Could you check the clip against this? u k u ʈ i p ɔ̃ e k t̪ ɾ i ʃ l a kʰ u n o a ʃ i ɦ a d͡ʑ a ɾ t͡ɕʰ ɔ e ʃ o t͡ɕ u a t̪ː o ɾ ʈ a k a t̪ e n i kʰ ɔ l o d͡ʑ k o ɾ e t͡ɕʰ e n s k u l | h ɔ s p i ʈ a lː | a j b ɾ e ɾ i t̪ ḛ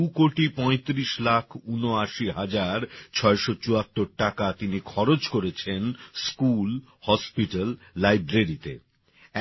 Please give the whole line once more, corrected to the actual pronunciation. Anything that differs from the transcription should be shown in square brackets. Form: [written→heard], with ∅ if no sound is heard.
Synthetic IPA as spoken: u k [u→o] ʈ i p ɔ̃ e [k→∅] t̪ ɾ i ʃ l a kʰ u n o a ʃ i ɦ a d͡ʑ a ɾ t͡ɕʰ ɔ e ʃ o t͡ɕ u a t̪ː o ɾ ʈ a k a t̪ [e→i] n i kʰ ɔ [l→ɾ] o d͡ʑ k o ɾ e t͡ɕʰ e n s k u l | h ɔ s p i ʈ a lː | a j b ɾ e ɾ i t̪ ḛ